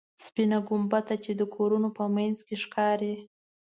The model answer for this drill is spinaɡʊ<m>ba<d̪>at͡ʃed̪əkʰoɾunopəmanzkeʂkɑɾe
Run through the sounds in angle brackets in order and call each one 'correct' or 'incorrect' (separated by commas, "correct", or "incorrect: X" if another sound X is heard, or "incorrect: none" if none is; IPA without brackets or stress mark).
correct, incorrect: t̪